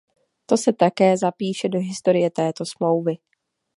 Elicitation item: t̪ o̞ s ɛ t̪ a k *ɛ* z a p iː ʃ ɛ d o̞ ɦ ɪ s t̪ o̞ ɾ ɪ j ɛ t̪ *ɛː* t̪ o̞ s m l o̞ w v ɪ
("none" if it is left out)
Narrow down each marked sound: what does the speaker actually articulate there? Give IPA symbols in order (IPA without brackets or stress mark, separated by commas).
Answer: ɛː, ɛː